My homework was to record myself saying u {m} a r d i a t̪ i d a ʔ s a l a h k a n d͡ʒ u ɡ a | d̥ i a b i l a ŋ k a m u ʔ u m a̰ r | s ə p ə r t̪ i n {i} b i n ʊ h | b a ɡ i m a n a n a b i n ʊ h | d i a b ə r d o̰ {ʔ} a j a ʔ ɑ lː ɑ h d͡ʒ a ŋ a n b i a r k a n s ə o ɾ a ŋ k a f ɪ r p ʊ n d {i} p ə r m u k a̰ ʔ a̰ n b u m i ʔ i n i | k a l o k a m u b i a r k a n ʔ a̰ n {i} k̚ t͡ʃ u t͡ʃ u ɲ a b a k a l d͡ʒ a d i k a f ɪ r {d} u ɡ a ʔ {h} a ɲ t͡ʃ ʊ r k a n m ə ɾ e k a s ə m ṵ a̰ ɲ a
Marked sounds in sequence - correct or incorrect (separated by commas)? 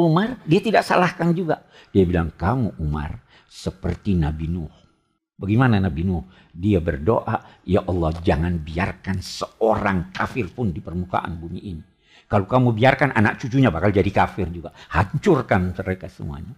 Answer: correct, incorrect, correct, correct, incorrect, incorrect, correct